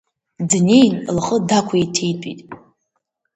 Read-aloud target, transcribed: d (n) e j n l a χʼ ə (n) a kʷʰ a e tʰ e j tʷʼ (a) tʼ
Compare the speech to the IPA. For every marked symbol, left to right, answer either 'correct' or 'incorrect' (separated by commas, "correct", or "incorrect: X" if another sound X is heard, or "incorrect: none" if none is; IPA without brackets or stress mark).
correct, incorrect: d, incorrect: i